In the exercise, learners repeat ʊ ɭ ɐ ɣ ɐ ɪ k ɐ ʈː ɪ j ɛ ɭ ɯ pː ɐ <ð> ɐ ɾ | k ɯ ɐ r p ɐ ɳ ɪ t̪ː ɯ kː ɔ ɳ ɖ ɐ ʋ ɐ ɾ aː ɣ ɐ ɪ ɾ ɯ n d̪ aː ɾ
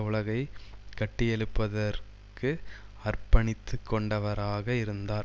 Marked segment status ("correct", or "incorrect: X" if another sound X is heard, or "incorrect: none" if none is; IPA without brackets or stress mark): correct